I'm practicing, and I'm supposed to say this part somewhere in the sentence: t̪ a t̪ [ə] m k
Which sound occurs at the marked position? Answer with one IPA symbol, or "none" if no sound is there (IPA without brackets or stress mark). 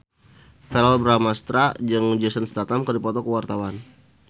a